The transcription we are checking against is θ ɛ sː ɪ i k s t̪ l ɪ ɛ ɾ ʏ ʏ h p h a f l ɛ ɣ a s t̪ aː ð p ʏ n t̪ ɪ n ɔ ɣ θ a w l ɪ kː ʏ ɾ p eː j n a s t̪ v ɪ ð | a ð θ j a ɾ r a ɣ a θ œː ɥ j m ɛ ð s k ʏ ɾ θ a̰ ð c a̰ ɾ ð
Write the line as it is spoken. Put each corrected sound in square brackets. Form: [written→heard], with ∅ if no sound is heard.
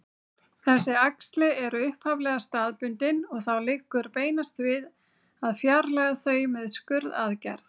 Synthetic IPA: θ ɛ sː ɪ [i→a] k s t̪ l ɪ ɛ ɾ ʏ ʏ h p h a [f→v] l ɛ ɣ a s t̪ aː ð p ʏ n t̪ ɪ n ɔ ɣ θ a w l ɪ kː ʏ ɾ p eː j n a s t̪ v ɪ ð | a ð [θ→f] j a ɾ [r→l] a ɣ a θ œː ɥ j m ɛ ð s k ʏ ɾ [θ→ð] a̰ ð c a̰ ɾ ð